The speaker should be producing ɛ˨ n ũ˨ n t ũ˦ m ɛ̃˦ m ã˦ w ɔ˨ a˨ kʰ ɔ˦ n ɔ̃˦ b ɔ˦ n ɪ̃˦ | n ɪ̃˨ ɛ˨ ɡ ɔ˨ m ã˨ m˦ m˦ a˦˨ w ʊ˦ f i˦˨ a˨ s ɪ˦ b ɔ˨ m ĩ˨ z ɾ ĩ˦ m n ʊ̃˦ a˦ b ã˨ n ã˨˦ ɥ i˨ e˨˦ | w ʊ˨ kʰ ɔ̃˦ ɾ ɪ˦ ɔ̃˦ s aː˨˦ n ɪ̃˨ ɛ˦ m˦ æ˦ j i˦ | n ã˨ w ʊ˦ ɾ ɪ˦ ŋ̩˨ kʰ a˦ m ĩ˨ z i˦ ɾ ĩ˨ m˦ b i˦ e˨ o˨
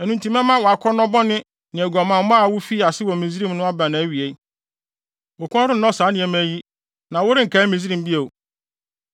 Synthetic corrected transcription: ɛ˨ n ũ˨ n t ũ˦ m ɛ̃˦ m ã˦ w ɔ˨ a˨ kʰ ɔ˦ n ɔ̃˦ b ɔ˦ n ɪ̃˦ | n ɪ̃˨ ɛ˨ ɡ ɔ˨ m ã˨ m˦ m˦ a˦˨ w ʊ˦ f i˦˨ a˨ s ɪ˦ w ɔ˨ m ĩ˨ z ɾ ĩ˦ m n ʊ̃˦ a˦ b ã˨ n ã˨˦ ɥ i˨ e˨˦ | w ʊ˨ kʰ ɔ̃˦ ɾ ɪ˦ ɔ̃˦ s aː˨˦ n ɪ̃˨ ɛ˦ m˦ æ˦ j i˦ | n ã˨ w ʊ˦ ɾ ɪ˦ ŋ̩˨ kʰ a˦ m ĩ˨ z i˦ ɾ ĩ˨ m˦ b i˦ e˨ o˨